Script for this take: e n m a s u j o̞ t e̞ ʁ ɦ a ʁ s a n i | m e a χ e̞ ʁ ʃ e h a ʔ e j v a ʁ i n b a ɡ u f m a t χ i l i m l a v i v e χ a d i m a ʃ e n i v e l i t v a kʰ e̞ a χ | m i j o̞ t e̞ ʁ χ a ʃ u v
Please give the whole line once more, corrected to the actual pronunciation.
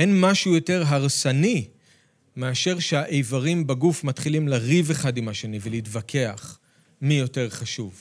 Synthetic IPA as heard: e n m a ʃ u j o̞ t e̞ ʁ ɦ a ʁ s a n i | m e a ʃ e̞ ʁ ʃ e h a ʔ e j v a ʁ i m b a ɡ u f m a t χ i l i m l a ʁ i v e χ a d i m a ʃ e n i v e l i t v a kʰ e̞ a χ | m i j o̞ t e̞ ʁ χ a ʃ u v